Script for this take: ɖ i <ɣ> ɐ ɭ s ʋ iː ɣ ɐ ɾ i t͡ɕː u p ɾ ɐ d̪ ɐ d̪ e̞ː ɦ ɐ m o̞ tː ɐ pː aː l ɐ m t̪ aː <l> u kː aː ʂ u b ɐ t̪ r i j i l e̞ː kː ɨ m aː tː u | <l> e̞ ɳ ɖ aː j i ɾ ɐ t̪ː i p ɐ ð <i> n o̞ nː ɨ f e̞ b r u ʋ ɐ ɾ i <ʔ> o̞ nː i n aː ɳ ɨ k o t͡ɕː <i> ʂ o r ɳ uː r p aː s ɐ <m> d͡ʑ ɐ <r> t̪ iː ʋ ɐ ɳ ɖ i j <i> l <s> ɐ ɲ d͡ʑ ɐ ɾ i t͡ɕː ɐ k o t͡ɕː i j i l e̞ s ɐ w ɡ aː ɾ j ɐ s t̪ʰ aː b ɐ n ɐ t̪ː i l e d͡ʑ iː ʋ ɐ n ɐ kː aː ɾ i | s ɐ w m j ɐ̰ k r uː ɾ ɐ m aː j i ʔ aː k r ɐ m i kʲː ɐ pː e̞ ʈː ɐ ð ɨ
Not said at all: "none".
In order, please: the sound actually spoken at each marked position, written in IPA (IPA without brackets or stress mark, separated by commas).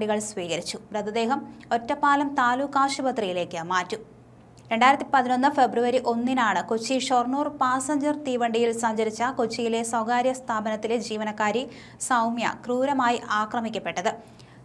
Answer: ɣ, l, ɾ, i, ʔ, i, ɲ, r, i, s